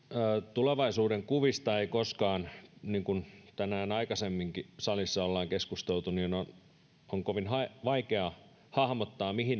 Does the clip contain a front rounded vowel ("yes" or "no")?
no